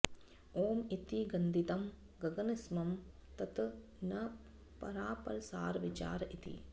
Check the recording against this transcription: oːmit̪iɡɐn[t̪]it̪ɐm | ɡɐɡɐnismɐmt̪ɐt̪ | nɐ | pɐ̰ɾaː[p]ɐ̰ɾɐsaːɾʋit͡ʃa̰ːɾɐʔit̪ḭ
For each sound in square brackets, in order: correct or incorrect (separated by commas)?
incorrect, correct